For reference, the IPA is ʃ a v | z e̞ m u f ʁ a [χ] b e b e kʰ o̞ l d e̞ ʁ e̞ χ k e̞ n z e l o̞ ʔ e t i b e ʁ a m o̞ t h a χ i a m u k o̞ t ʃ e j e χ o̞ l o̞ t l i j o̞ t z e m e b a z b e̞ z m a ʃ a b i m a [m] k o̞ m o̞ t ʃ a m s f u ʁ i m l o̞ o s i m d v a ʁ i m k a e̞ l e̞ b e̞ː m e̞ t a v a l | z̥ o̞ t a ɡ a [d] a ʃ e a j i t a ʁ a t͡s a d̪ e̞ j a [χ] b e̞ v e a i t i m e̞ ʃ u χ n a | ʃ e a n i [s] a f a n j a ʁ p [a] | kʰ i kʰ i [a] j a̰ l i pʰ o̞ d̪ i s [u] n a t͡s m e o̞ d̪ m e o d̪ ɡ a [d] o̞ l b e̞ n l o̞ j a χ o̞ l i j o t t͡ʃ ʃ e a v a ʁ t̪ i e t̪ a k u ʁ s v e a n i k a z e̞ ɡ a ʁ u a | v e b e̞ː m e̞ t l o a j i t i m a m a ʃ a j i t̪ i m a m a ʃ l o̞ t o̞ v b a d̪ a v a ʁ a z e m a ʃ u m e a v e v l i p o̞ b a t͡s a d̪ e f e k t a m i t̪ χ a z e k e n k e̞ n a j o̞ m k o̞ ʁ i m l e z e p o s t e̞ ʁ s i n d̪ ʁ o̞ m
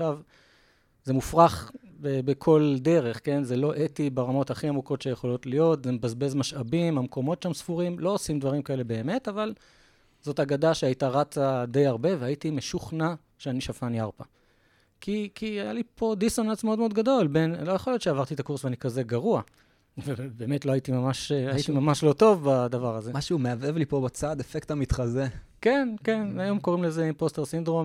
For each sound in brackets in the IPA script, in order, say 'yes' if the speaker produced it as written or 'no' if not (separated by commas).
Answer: yes, yes, yes, no, no, yes, yes, no, yes